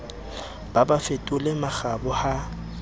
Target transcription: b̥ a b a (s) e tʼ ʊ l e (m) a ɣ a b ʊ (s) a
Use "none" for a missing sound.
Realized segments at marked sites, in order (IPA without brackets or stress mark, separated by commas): f, m, h